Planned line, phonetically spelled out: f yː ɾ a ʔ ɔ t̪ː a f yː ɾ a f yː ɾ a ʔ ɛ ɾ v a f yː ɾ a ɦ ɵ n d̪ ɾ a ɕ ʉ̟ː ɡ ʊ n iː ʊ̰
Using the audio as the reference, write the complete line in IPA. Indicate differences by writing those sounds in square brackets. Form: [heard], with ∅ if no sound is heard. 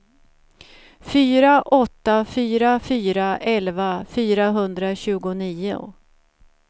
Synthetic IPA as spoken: f yː ɾ a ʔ ɔ t̪ː a f yː ɾ a f yː ɾ a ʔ ɛ [l] v a f yː ɾ a ɦ ɵ n d̪ ɾ a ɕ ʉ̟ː ɡ ʊ n iː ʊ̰